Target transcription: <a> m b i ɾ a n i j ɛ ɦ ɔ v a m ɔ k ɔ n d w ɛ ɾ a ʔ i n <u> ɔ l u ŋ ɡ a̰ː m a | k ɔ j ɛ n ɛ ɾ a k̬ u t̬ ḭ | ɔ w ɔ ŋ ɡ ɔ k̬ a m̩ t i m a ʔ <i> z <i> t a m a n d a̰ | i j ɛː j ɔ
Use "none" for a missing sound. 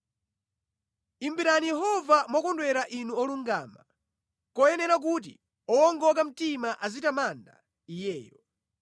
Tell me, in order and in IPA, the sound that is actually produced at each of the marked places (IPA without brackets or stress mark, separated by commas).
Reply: i, u, a, i